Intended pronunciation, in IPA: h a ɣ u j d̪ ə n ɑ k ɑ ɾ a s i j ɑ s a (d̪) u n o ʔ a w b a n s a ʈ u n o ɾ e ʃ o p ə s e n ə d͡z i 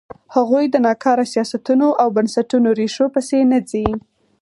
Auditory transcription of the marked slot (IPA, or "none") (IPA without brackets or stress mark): t̪